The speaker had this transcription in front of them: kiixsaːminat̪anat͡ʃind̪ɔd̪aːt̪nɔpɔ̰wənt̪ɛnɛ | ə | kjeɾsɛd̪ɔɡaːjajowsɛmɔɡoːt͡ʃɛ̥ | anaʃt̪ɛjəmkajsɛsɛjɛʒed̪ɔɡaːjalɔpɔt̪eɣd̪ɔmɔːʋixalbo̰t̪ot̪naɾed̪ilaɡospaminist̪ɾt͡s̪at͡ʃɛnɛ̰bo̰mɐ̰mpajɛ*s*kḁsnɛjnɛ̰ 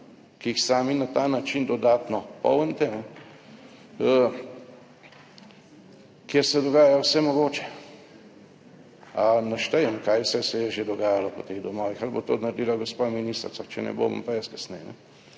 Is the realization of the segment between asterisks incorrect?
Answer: no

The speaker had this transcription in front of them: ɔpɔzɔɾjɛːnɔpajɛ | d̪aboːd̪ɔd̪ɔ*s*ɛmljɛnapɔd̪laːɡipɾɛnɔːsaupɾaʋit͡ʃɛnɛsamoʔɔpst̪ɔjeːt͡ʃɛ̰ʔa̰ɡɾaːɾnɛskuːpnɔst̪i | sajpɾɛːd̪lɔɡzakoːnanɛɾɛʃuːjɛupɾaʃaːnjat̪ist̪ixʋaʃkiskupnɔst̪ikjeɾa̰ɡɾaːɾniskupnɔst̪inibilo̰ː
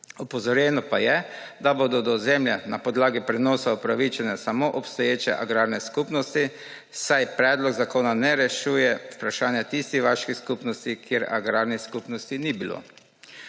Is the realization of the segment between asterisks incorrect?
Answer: yes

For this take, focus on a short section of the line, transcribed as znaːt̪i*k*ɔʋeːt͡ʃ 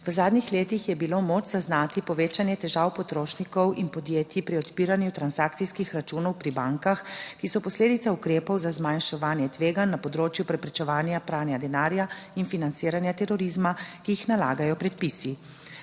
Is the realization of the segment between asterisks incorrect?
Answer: yes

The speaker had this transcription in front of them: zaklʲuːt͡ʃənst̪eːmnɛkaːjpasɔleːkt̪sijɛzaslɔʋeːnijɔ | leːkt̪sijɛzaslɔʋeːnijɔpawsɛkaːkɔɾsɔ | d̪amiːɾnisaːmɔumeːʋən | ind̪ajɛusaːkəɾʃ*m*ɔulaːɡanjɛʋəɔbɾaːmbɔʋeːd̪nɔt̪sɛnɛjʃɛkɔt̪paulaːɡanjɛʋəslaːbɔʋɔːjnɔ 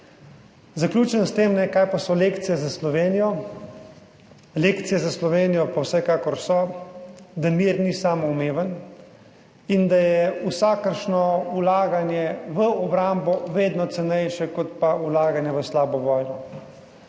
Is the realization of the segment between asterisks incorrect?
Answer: yes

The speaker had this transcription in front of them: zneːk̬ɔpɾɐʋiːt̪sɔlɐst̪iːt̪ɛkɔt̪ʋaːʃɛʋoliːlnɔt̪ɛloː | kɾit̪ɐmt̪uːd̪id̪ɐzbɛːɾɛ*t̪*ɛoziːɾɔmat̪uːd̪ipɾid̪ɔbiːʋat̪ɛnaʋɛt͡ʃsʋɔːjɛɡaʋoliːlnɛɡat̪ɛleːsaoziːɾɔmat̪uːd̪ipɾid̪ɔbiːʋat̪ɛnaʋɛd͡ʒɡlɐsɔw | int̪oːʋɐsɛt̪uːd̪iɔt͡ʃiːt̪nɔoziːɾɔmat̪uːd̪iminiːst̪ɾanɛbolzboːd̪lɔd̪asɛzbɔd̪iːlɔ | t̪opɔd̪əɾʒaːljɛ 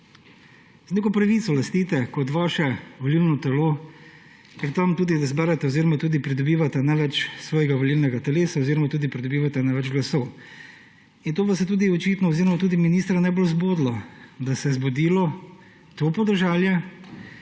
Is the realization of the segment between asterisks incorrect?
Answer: no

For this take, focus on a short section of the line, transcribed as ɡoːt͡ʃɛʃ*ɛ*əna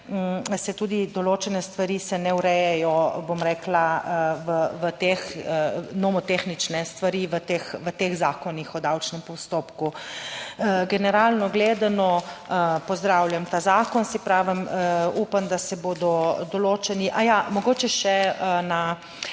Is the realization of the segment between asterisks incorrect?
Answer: no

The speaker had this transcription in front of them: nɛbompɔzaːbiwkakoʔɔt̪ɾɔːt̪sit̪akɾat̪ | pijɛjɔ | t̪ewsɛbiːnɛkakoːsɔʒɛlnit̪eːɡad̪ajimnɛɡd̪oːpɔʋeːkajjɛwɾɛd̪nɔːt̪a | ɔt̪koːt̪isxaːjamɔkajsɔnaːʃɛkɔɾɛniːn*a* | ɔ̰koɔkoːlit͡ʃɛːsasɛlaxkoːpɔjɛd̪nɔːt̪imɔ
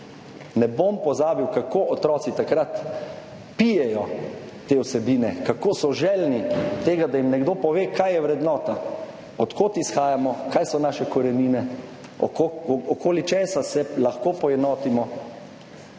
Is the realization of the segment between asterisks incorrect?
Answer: yes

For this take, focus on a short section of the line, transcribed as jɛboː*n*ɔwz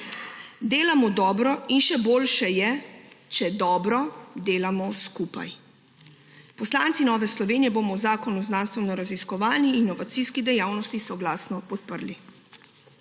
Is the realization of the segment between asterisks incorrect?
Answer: yes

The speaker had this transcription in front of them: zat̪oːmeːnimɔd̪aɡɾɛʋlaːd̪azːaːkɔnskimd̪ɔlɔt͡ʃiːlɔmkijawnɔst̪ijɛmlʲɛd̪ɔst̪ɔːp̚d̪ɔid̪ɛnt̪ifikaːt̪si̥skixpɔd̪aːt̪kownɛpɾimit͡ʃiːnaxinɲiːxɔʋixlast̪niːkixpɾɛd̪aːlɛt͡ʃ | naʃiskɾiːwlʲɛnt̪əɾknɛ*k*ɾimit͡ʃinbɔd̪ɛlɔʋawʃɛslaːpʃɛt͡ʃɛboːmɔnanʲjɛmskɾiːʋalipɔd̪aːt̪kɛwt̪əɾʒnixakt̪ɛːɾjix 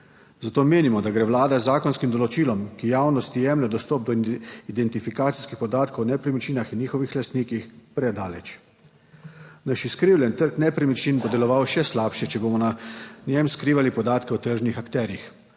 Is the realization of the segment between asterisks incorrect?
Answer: yes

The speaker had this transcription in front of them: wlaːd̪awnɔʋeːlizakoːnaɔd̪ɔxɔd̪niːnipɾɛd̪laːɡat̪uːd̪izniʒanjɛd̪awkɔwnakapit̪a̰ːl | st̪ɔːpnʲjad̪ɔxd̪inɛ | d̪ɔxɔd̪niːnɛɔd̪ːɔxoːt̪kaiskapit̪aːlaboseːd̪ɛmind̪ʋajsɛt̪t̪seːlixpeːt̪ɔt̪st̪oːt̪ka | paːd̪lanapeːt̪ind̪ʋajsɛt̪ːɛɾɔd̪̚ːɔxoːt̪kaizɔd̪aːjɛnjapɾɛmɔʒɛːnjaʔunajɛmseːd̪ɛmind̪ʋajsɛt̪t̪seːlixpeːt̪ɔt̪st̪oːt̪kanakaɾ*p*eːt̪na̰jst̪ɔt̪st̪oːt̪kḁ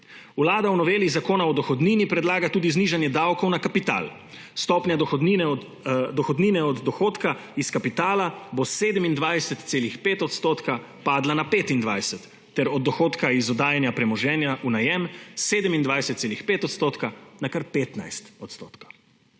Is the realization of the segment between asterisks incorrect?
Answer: no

